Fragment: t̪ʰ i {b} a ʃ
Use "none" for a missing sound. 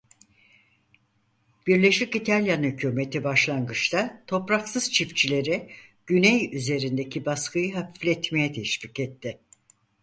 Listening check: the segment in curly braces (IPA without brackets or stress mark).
b